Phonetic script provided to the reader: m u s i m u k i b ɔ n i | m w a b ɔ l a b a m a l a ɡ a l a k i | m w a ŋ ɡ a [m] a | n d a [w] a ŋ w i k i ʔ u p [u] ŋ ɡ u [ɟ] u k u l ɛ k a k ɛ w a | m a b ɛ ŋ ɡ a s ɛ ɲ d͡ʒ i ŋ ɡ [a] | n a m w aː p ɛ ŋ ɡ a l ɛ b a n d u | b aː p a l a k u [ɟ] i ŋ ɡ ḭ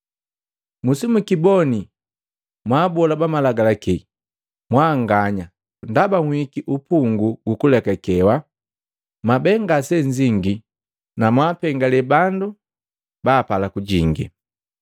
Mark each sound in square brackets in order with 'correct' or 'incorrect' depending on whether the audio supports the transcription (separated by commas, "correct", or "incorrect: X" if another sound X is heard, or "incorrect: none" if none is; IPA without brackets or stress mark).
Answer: incorrect: ɲ, incorrect: b, correct, incorrect: ɡ, incorrect: i, correct